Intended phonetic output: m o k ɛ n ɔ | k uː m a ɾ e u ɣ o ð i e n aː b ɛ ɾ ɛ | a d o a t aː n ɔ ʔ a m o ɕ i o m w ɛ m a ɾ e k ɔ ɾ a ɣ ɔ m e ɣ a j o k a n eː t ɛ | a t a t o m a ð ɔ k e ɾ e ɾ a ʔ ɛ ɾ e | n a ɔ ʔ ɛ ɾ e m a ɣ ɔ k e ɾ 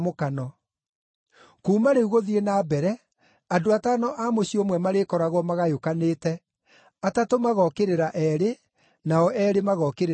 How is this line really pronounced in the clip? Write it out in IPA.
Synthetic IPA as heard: m o k a n ɔ | k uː m a ɾ e u ɣ o ð i e n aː b ɛ ɾ ɛ | a d o a t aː n ɔ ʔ a m o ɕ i o m w ɛ m a ɾ e k ɔ ɾ a ɣ ɔ m a ɣ a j o k a n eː t ɛ | a t a t o m a ɣ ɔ k e ɾ e ɾ a ʔ ɛ ɾ e | n a ɔ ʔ ɛ ɾ e m a ɣ ɔ k e ɾ